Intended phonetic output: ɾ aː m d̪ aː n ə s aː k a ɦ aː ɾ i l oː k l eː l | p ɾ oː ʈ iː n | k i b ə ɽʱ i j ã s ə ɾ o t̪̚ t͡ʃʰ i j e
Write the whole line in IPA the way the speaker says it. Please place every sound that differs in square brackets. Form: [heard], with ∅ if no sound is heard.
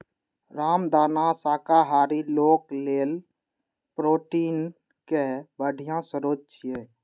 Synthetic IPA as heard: ɾ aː m d̪ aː n [a] s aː k a ɦ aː ɾ i l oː k l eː l | p ɾ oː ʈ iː n | k [e] b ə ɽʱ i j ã s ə ɾ o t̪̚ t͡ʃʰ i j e

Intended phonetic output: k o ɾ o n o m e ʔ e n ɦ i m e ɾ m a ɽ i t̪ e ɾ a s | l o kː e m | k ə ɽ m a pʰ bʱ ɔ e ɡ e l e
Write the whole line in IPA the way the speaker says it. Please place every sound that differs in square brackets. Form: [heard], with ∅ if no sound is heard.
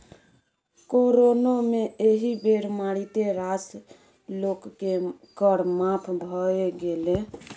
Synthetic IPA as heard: k o ɾ o n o m e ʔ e [∅] ɦ i [b] e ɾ m a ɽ i t̪ e ɾ a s | l o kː e [∅] | k ə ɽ m a pʰ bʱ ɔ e ɡ e l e

